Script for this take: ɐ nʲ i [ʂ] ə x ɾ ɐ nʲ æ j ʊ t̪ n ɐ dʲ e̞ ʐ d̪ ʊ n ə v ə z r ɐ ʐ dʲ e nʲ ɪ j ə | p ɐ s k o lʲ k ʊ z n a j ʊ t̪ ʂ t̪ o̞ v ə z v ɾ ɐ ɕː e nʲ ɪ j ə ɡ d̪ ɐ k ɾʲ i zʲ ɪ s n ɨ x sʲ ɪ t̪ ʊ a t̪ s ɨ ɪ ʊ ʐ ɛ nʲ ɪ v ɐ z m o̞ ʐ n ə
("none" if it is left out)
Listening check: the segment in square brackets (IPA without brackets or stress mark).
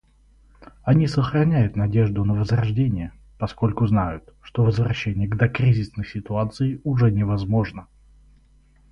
s